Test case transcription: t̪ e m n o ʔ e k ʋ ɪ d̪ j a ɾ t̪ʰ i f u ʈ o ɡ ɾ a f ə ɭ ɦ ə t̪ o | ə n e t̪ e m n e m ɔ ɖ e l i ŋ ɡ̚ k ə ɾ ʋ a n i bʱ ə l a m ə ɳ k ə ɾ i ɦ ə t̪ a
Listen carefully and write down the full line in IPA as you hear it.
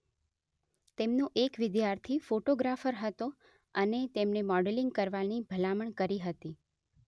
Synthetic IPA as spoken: t̪ e m n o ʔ e k ʋ ɪ d̪ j a ɾ t̪ʰ i f o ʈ o ɡ ɾ a f ə ɾ ɦ ə t̪ o | ə n e t̪ e m n e m ɔ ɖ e l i ŋ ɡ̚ k ə ɾ ʋ a n i bʱ ə l a m ə ɳ k ə ɾ i ɦ ə t̪ i